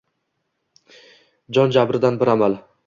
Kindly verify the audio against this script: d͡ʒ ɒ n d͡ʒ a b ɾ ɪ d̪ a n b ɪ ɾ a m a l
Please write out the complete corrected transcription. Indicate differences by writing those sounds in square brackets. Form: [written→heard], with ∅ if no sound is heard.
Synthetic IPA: d͡ʒ ɒ n d͡ʒ a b ɾ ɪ d̪ a n b ɪ ɾ a m a l